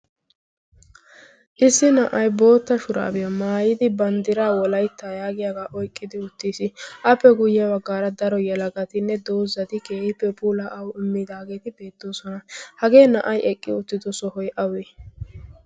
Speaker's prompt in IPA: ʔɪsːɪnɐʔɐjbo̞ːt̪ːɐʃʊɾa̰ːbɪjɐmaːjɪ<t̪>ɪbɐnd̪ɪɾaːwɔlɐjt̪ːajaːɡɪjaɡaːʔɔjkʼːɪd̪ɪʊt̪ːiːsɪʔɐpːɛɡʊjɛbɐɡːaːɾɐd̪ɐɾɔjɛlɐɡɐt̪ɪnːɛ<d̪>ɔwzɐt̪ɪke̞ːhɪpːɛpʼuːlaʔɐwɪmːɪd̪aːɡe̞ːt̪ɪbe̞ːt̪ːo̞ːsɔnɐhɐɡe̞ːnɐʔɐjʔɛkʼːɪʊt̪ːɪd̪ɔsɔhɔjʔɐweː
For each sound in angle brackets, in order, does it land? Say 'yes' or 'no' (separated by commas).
no, yes